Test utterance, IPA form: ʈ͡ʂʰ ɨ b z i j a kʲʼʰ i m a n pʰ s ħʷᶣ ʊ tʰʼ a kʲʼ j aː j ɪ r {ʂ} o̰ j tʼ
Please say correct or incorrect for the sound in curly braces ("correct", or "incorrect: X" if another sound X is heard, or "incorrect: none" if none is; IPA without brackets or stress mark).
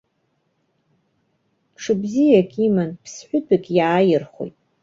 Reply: incorrect: χ